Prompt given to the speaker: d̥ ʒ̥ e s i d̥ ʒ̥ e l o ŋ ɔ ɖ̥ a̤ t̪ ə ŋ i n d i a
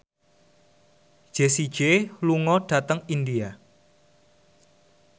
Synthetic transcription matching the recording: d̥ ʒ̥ e s i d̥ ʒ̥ e l u ŋ ɔ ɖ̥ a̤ t̪ ə ŋ i n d i a